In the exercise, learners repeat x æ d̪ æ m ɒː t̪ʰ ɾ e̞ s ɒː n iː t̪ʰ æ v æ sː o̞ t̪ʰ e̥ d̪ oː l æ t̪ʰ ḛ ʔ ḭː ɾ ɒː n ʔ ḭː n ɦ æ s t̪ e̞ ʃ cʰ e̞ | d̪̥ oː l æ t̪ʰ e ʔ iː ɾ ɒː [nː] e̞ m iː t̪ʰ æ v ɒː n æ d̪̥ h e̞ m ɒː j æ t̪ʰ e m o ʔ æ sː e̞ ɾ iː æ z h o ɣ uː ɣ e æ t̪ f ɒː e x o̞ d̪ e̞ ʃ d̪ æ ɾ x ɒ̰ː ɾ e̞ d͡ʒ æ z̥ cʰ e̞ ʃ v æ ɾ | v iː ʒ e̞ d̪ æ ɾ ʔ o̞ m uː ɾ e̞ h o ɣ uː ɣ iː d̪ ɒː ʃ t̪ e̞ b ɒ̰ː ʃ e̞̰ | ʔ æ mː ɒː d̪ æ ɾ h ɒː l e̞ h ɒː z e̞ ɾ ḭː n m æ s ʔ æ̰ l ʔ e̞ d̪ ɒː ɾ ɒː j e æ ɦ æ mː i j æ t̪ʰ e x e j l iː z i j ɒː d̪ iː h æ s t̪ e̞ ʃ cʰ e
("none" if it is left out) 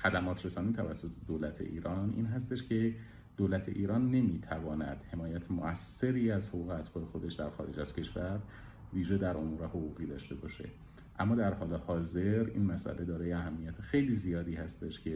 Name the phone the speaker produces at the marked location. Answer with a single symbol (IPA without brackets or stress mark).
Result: nː